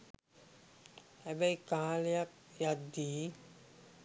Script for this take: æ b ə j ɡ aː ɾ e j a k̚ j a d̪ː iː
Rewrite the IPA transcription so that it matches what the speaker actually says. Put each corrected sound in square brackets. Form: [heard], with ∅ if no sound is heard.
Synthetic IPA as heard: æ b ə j [k] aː [l] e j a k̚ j a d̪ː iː